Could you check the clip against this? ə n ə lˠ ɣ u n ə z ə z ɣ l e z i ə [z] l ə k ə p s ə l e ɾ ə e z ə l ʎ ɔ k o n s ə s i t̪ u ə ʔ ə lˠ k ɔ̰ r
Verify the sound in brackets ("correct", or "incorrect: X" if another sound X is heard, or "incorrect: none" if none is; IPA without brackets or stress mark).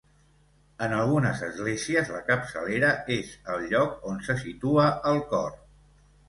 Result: correct